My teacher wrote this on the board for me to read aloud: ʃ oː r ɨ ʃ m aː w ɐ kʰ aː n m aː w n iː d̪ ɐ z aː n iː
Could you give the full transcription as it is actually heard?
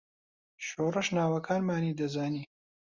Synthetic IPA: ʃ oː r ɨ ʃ n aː w ɐ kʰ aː n m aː n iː d̪ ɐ z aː n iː